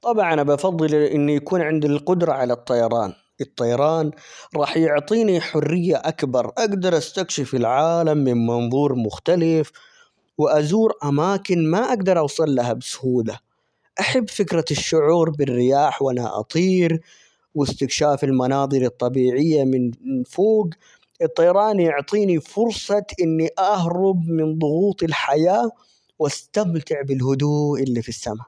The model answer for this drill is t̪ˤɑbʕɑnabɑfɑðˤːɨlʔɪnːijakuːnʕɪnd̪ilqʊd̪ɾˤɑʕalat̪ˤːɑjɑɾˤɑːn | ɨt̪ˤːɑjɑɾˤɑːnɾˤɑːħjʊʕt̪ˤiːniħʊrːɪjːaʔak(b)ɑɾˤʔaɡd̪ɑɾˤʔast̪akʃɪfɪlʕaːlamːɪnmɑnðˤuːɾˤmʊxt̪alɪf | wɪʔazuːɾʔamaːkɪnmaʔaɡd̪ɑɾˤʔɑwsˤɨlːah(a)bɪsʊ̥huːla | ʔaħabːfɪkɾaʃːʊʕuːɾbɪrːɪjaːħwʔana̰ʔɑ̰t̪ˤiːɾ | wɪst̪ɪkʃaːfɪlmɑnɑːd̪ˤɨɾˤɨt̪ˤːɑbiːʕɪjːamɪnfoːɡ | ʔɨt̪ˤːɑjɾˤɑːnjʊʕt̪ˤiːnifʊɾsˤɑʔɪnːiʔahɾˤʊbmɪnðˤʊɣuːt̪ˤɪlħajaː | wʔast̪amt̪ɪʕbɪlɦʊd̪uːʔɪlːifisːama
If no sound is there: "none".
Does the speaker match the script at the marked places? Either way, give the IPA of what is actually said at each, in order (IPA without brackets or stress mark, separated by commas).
b, a